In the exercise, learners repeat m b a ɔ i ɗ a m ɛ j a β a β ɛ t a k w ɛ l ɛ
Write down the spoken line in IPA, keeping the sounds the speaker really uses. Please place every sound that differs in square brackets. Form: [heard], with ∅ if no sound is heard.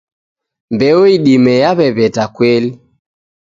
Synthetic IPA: m b [ɛ] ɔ i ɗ [i] m ɛ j a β [ɛ] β ɛ t a k w ɛ l [i]

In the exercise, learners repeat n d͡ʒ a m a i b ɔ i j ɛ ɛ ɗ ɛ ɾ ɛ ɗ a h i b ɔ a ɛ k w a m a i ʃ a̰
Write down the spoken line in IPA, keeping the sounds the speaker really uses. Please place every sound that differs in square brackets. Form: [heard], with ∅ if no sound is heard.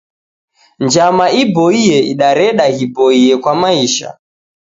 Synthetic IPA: n d͡ʒ a m a i b ɔ i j ɛ [i] ɗ [a] ɾ ɛ ɗ a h i b ɔ [i] ɛ k w a m a i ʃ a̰

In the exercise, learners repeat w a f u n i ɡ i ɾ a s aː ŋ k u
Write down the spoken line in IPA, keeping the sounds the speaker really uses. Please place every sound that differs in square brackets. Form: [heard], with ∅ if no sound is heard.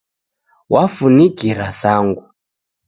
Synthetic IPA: w a f u n i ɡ i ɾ a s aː ŋ [ɡ] u

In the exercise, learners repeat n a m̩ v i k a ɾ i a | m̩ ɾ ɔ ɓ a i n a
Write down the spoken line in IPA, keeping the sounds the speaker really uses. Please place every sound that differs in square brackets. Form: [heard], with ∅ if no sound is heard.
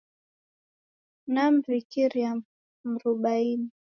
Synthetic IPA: n a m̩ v i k [i] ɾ i a | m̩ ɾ [u] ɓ a i n [i]

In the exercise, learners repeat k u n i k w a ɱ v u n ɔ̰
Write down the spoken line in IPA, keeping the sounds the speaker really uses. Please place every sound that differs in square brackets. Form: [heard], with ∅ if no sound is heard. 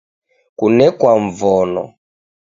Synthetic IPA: k u n [ɛ] k w a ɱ v [ɔ] n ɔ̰

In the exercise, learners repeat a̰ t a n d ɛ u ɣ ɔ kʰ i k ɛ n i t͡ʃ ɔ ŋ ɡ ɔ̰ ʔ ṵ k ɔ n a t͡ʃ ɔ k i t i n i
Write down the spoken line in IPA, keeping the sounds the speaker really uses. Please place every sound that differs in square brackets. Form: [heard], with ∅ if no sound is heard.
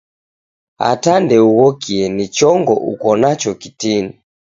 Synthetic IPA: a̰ t a n d ɛ u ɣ ɔ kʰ i [∅] ɛ n i t͡ʃ ɔ ŋ ɡ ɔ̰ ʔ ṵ k ɔ n a t͡ʃ ɔ k i t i n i

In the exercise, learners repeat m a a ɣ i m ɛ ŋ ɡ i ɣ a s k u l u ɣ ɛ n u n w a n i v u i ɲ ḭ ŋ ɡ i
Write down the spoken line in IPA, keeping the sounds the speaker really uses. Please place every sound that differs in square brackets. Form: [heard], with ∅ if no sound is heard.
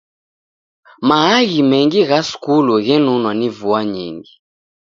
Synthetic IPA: m a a ɣ i m ɛ ŋ ɡ i ɣ a s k u l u ɣ ɛ n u n w a n i v u [a] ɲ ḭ ŋ ɡ i

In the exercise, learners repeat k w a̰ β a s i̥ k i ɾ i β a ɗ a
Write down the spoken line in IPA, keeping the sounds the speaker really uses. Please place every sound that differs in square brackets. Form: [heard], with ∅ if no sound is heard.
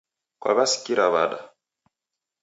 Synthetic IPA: k w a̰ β a s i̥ k i ɾ [a] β a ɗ a

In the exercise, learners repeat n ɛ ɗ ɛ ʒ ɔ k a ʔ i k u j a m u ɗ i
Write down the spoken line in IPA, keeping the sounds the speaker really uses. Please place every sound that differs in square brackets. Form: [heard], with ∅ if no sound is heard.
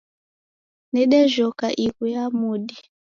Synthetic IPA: n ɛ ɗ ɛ ʒ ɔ k a ʔ i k u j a m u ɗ i

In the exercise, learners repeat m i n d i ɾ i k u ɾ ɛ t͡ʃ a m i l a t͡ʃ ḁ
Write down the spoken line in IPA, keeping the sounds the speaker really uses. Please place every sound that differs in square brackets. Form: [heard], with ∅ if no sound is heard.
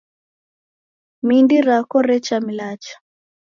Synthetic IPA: m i n d i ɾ [a] k [ɔ] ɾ ɛ t͡ʃ a m i l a t͡ʃ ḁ

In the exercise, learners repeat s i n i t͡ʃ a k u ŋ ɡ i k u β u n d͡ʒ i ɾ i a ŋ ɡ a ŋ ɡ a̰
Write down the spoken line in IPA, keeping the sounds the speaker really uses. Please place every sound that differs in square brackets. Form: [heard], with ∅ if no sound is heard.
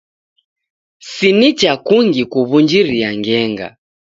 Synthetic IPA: s i n i t͡ʃ a k u ŋ ɡ i k u β u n d͡ʒ i ɾ i a ŋ ɡ [ɛ] ŋ ɡ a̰

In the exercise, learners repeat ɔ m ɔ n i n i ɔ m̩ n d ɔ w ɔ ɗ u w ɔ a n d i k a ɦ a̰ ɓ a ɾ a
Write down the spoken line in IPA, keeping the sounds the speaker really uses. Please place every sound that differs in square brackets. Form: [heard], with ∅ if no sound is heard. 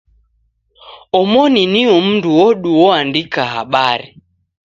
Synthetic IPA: ɔ m ɔ n i n i ɔ m̩ n d [u] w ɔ ɗ u w ɔ a n d i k a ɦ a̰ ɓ a ɾ [i]

